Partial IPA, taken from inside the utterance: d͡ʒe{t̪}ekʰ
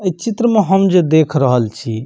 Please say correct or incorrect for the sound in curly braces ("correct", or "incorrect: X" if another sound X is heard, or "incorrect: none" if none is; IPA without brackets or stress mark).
incorrect: d̪